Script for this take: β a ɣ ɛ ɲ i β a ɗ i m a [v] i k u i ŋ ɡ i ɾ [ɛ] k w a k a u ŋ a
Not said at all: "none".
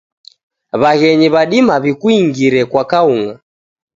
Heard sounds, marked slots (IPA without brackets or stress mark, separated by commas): β, ɛ